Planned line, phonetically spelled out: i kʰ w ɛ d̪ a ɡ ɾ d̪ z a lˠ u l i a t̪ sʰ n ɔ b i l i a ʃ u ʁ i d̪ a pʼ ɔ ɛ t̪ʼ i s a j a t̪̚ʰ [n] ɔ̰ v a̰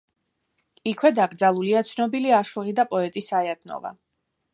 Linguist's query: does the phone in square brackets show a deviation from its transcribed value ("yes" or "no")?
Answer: no